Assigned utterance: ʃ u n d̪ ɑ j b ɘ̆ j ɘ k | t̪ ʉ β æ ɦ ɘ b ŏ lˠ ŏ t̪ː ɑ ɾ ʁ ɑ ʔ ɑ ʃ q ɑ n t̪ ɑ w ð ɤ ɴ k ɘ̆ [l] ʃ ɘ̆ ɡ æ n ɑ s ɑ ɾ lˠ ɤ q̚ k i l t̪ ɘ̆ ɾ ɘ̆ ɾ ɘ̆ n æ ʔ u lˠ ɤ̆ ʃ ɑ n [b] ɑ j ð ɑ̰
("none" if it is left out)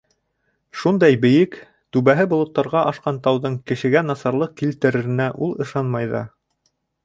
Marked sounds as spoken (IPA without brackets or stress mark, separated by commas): none, m